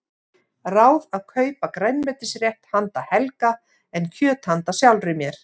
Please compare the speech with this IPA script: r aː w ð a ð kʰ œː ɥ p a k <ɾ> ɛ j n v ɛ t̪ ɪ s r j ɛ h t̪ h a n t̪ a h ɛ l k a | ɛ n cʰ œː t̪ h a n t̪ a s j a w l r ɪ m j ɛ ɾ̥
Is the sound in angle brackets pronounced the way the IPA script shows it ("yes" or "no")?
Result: yes